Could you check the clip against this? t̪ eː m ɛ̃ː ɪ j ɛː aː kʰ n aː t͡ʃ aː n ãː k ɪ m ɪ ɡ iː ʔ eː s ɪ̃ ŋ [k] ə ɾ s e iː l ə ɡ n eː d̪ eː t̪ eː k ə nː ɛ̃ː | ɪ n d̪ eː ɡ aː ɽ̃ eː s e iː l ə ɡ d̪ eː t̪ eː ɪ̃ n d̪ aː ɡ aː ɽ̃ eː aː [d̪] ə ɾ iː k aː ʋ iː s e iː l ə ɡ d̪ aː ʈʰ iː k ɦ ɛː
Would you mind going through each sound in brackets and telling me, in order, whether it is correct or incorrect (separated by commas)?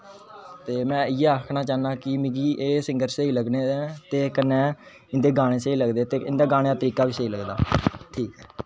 incorrect, incorrect